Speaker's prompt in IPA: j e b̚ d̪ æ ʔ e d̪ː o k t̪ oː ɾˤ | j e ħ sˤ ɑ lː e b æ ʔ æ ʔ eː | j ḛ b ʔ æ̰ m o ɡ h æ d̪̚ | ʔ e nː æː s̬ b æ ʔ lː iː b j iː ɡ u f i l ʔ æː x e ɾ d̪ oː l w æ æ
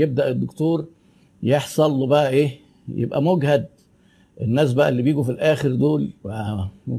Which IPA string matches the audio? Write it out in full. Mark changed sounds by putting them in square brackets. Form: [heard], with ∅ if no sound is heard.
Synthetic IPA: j e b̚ d̪ æ ʔ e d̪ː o k t̪ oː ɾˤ | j e ħ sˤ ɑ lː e b æ ʔ æ ʔ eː | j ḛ b ʔ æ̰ m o ɡ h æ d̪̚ | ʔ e nː æː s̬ b æ ʔ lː [i] b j iː ɡ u f i l ʔ æː x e ɾ d̪ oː l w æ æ